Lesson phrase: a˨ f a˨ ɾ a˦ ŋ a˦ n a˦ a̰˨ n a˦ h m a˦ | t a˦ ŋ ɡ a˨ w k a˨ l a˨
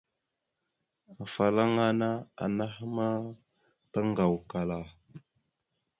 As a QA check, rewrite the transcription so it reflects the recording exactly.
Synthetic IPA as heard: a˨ f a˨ l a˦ ŋ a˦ n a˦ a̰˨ n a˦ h m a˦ | t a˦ ŋ ɡ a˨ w k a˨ l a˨